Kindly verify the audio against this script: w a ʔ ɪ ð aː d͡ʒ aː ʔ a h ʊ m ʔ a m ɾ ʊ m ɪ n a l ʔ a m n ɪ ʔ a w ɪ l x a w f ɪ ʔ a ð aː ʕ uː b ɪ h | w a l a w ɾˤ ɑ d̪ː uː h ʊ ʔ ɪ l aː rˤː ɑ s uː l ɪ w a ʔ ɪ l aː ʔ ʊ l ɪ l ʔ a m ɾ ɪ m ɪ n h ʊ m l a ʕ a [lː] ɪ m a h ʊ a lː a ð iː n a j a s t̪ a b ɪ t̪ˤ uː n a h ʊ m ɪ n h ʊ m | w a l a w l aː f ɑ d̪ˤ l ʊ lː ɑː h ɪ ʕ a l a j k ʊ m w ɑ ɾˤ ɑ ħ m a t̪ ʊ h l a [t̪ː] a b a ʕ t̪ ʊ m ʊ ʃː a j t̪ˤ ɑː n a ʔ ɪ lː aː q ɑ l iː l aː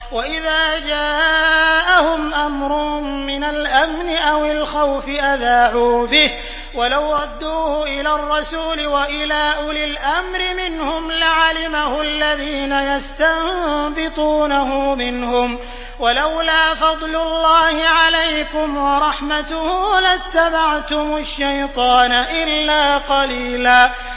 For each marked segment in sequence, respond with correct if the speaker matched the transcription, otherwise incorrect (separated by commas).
incorrect, correct